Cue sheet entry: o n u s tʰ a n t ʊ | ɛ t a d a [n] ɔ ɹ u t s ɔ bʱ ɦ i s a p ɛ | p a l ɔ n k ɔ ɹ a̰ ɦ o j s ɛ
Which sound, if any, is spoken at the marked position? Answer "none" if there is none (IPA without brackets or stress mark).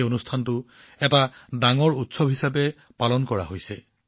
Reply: ŋ